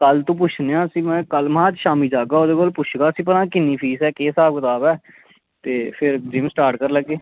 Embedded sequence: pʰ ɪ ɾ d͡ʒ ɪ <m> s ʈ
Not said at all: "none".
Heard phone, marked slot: m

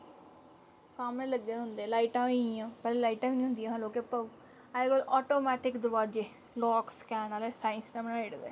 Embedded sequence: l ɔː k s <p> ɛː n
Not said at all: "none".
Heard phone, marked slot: k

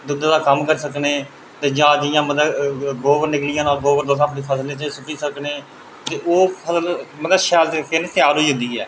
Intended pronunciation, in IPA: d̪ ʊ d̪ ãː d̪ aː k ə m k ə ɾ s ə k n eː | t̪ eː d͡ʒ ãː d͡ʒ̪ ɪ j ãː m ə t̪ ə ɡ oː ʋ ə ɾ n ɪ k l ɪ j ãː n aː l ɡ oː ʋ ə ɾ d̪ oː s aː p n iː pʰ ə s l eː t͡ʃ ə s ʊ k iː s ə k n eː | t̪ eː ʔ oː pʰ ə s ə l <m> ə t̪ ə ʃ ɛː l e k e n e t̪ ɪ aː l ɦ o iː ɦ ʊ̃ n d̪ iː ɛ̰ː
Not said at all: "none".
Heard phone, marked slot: m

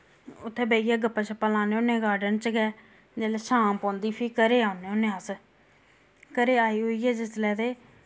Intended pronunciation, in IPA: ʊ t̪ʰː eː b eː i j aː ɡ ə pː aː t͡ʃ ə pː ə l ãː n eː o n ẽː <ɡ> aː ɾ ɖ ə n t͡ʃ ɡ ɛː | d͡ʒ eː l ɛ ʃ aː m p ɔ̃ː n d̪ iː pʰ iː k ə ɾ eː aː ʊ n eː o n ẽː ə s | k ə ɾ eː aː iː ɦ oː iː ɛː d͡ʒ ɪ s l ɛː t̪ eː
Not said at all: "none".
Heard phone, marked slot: ɡ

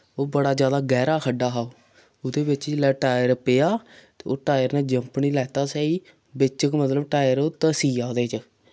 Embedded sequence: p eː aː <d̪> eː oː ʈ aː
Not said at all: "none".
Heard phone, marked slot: t̪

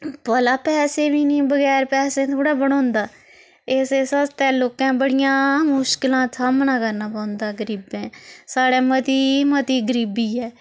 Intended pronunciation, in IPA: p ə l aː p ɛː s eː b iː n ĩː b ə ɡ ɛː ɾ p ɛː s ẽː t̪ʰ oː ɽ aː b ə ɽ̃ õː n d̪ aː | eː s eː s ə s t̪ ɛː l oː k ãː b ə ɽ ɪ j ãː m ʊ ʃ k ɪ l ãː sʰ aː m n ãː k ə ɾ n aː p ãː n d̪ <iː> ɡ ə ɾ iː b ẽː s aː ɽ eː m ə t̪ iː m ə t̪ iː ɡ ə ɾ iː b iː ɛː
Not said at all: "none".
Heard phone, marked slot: aː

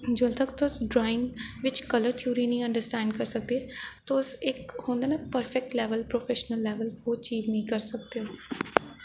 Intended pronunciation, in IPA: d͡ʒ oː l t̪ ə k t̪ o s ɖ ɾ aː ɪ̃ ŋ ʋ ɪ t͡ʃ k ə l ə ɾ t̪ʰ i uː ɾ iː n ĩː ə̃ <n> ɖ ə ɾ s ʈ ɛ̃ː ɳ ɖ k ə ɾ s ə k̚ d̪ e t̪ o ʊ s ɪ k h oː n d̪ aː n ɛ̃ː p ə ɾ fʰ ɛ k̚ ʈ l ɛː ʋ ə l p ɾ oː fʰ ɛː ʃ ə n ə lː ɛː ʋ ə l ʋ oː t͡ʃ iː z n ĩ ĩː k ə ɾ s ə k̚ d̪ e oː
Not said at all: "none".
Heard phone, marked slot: ɳ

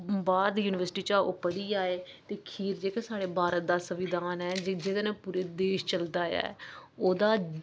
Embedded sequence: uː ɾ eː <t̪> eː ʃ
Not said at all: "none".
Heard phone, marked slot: d̪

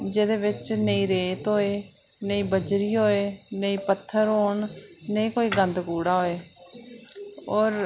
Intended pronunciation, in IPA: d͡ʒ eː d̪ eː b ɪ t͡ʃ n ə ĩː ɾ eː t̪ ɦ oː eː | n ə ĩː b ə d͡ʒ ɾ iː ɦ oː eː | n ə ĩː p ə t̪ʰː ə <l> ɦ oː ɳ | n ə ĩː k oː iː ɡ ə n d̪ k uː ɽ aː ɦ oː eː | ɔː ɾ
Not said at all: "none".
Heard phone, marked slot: ɾ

